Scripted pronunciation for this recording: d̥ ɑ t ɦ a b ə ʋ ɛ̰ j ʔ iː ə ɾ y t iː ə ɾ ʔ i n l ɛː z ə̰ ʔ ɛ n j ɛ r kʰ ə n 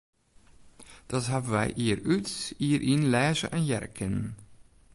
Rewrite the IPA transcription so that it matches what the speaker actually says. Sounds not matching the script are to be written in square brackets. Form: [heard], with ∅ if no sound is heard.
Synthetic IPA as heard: d̥ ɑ t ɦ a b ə ʋ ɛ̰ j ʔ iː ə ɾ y t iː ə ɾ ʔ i n l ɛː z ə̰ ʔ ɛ n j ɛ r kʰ ə n